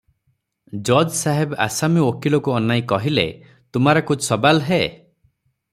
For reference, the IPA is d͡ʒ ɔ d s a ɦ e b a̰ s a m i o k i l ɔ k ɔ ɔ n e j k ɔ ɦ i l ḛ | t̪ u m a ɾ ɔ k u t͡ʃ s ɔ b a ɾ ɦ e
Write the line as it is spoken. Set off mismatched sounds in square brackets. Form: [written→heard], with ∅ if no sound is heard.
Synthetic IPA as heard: d͡ʒ ɔ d s a ɦ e b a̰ s a m i o k i l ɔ k [ɔ→u] ɔ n [e→a] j k ɔ ɦ i l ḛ | t̪ u m a ɾ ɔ k u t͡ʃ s ɔ b a [ɾ→l] ɦ e